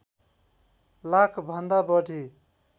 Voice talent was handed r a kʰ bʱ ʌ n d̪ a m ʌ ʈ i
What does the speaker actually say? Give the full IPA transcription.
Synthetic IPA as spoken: l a kʰ bʱ ʌ n d̪ a b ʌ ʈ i